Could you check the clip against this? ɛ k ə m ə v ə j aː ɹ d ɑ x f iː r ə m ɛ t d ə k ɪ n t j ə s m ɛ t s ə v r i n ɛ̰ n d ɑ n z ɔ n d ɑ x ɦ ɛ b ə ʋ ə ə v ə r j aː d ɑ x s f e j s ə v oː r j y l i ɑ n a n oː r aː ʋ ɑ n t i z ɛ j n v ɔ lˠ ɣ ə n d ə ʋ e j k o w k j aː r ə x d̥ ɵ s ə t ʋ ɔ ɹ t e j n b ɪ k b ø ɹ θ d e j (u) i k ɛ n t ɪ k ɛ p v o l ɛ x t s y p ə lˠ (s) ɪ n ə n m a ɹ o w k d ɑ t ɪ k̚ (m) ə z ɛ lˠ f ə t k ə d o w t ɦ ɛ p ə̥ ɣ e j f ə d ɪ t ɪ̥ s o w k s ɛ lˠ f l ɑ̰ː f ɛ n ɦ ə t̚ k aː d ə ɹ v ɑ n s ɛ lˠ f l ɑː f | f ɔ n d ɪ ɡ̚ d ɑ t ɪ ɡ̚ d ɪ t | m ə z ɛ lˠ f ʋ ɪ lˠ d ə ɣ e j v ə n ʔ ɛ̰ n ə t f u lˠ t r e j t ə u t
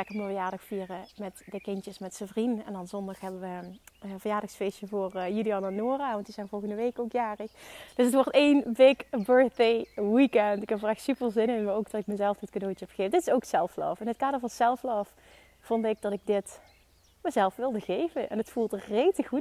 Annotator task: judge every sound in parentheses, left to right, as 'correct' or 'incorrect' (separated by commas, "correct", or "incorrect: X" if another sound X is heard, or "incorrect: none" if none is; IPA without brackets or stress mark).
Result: incorrect: w, incorrect: z, correct